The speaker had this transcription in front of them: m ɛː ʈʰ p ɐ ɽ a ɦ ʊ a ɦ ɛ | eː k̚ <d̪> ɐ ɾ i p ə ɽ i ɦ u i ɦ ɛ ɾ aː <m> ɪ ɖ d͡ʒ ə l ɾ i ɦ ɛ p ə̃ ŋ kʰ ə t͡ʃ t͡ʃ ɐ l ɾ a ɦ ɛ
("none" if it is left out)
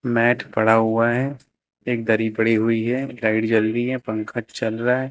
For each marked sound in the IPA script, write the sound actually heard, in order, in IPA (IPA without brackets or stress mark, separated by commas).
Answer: d̪, none